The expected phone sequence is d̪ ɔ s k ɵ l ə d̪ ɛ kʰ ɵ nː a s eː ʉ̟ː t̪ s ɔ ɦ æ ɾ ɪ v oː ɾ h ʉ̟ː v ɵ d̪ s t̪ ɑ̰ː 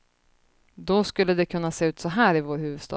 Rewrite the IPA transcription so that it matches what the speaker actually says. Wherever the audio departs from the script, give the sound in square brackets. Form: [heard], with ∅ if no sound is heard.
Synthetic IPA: d̪ ɔ s k ɵ [lː] ə d̪ ɛ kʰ ɵ nː a s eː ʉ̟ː t̪ s ɔ ɦ [æː] ɾ ɪ v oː ɾ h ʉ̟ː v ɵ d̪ s t̪ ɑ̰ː